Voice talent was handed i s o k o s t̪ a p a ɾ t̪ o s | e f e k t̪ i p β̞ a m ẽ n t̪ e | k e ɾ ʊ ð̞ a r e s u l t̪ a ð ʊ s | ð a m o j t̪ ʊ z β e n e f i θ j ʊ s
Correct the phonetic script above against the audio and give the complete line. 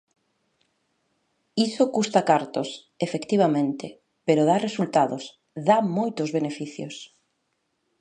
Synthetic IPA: i s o k u s t̪ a k a ɾ t̪ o s | e f e k t̪ i β̞ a m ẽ n t̪ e | p e ɾ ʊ ð̞ a r e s u l t̪ a ð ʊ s | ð a m o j t̪ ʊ z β e n e f i θ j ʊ s